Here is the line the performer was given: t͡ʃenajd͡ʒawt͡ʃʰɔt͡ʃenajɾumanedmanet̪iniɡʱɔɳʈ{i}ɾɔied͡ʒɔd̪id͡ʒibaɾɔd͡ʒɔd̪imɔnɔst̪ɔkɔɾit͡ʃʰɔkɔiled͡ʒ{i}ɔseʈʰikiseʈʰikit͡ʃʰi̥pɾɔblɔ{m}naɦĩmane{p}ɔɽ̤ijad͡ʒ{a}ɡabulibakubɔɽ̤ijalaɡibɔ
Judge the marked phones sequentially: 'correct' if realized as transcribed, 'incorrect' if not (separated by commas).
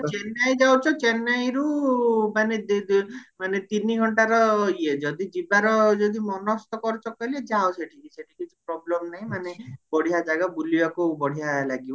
incorrect, incorrect, correct, incorrect, correct